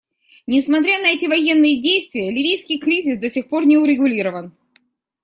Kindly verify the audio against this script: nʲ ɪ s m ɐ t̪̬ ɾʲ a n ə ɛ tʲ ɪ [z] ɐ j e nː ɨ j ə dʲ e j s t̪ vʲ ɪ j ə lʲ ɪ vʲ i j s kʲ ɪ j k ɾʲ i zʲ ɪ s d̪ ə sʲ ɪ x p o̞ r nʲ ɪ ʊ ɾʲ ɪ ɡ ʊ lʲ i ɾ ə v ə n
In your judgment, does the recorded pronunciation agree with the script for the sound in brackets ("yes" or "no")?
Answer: no